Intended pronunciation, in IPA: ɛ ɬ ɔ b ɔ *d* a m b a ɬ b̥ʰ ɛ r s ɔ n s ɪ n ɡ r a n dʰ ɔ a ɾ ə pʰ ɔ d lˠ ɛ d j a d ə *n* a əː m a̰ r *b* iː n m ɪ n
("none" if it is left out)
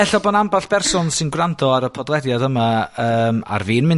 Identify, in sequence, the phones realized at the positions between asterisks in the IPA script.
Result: n, m, v

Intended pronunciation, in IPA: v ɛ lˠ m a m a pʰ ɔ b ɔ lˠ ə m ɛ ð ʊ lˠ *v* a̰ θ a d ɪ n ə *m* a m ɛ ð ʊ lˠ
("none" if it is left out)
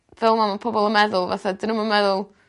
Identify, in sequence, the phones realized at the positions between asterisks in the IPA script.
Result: v, m

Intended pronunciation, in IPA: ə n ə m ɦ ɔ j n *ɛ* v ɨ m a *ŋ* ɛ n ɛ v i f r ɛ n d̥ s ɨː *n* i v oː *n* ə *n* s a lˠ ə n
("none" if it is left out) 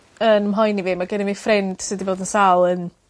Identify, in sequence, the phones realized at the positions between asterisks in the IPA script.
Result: i, ɡ, d, d, n

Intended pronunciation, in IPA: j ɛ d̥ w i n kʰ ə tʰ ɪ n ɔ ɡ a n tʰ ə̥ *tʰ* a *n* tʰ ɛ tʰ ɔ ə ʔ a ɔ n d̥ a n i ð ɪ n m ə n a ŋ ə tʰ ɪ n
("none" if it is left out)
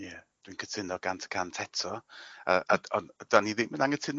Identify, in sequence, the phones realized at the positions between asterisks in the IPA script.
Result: kʰ, n

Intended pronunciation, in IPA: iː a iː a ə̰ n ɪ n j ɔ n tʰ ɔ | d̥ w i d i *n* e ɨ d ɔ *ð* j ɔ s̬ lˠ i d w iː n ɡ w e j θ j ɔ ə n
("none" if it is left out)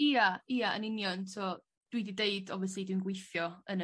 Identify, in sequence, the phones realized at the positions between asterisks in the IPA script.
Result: d, v

